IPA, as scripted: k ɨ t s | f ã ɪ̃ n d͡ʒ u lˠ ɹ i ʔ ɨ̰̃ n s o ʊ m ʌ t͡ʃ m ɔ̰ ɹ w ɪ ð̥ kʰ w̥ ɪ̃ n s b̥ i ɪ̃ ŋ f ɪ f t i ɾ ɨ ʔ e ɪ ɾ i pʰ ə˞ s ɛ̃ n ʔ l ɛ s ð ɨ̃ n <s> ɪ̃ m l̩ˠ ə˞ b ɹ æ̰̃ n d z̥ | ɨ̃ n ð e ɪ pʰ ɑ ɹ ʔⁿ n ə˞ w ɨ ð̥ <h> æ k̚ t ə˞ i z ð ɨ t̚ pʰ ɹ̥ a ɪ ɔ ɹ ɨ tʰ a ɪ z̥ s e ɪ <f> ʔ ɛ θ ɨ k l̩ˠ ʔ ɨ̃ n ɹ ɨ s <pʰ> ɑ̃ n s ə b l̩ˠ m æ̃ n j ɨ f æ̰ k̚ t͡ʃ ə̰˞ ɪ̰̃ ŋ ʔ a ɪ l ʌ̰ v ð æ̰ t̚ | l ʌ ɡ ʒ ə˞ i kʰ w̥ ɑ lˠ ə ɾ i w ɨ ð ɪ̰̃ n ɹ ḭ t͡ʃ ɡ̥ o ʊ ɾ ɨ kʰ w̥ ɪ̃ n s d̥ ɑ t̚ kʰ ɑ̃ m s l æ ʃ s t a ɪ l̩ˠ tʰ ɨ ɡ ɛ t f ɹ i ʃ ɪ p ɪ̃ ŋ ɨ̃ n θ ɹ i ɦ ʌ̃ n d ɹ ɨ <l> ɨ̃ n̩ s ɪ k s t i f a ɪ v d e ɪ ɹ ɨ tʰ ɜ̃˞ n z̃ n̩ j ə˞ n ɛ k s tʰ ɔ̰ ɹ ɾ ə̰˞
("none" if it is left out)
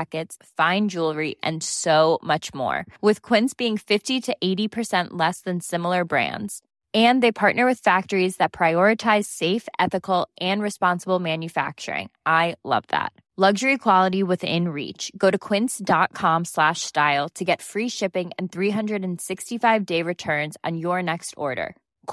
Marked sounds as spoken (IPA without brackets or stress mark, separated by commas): s, f, f, p, ɾ